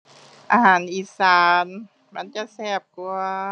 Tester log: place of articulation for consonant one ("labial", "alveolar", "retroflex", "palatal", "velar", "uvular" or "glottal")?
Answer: glottal